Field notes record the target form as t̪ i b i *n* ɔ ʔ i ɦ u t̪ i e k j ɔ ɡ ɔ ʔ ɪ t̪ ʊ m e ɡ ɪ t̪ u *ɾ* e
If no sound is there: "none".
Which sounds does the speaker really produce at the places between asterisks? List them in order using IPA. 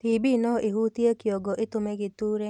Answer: n, ɾ

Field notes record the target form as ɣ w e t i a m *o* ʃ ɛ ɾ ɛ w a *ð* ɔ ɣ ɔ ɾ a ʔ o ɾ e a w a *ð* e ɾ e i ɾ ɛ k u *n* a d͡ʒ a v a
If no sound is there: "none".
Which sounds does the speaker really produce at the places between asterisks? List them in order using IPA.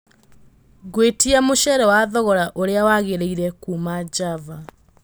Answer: o, ð, ɣ, m

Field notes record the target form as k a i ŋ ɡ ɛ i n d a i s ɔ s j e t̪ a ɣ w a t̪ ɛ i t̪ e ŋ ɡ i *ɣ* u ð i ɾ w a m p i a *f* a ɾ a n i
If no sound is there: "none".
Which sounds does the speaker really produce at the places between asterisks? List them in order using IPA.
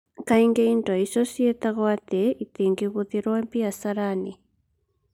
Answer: ɣ, s

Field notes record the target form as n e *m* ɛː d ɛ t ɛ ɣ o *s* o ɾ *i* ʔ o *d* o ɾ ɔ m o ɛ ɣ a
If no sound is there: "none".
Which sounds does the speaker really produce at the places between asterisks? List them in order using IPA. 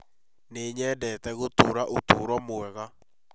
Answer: ɲ, t, a, t

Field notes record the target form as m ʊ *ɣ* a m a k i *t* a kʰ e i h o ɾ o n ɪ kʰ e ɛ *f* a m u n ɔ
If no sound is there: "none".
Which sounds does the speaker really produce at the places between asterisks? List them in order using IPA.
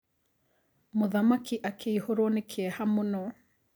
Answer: ð, ʔ, h

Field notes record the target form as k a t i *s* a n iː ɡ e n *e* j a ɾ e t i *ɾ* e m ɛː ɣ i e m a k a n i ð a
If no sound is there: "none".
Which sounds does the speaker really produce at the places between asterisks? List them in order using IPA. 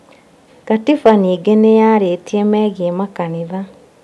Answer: f, e, none

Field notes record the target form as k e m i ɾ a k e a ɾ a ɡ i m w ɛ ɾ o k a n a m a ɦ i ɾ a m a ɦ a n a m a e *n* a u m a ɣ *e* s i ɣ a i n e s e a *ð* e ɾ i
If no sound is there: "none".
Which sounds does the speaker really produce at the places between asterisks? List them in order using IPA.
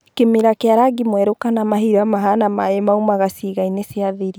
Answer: m, a, ð

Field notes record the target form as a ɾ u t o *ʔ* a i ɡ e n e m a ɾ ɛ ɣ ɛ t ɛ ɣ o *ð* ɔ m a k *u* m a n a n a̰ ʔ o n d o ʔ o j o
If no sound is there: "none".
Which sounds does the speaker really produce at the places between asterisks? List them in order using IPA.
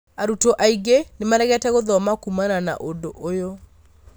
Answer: ʔ, ð, u

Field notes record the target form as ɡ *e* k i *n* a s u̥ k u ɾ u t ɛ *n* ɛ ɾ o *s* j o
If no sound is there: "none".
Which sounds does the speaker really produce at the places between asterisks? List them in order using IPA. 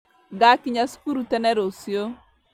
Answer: a, ɲ, n, s

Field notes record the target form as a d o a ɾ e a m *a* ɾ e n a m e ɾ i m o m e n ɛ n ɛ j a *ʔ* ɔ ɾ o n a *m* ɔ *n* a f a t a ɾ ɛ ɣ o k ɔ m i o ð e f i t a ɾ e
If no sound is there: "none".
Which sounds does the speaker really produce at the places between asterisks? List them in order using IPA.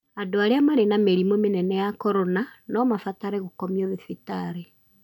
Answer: a, k, n, m

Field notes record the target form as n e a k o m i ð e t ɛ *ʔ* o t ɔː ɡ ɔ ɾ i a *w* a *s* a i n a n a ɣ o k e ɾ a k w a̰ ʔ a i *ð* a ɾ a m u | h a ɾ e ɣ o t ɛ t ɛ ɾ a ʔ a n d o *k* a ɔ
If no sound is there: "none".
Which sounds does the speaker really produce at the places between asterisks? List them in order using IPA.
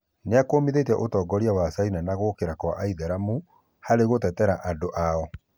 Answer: ʔ, w, s, ð, ʔ

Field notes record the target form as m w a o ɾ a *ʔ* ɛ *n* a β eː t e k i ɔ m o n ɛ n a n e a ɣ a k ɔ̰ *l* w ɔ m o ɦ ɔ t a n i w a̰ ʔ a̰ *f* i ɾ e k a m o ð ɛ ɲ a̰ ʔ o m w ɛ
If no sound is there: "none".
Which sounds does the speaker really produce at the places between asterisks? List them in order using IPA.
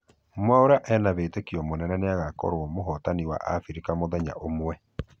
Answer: ʔ, n, ɾ, f

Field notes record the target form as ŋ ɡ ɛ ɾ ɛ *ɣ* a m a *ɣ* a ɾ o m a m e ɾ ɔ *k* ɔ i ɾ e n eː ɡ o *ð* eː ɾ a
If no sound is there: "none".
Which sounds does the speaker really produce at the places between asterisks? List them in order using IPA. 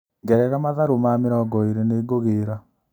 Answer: ɣ, ð, ɡ, ɣ

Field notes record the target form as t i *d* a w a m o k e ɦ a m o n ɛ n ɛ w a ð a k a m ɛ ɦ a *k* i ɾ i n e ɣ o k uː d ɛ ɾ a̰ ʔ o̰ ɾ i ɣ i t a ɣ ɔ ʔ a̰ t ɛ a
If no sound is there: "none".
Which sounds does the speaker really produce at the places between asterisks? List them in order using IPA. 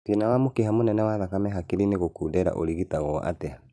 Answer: n, k

